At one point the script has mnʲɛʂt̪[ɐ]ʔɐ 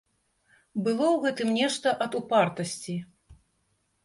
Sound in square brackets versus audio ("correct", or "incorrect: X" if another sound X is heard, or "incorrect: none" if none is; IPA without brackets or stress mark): correct